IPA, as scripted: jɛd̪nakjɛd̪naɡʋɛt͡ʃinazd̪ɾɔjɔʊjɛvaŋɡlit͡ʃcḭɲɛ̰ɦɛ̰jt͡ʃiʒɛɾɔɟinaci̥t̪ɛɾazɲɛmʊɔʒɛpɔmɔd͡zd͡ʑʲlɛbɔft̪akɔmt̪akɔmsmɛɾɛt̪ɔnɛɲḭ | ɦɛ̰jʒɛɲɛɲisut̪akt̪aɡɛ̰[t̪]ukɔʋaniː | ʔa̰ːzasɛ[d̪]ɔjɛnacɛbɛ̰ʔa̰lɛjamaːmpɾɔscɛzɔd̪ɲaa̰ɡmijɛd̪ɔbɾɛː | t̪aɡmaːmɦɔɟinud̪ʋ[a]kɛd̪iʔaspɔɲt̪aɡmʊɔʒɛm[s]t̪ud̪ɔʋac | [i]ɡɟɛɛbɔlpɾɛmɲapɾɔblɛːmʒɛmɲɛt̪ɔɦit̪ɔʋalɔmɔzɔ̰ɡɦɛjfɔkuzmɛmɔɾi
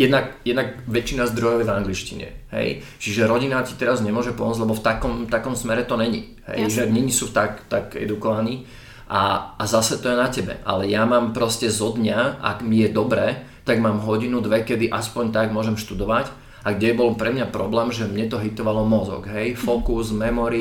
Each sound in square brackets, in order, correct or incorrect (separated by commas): incorrect, incorrect, incorrect, incorrect, incorrect